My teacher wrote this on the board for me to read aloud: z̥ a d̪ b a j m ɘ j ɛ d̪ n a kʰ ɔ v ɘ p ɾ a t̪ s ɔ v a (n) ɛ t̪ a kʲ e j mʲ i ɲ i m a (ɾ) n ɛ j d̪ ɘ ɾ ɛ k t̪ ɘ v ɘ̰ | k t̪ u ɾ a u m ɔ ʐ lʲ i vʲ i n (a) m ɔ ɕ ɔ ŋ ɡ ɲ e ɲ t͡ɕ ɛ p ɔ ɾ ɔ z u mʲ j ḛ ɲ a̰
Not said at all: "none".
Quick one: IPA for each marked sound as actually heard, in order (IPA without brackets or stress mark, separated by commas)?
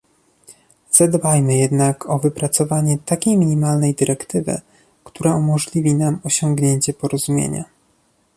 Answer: ɲ, l, a